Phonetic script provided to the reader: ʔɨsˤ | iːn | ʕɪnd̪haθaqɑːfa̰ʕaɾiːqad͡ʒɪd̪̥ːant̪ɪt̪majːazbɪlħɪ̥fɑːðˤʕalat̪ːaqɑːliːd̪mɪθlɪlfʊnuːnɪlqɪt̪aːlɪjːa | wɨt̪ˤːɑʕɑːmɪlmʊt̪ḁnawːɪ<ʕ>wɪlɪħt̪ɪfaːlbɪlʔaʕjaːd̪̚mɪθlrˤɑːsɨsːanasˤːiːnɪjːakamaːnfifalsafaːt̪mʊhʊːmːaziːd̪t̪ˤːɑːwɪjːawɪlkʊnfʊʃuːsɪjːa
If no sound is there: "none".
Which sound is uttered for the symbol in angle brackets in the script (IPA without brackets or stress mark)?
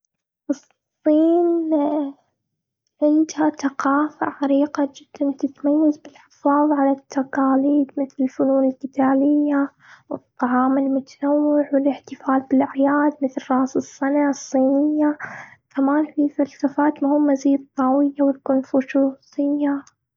ʕ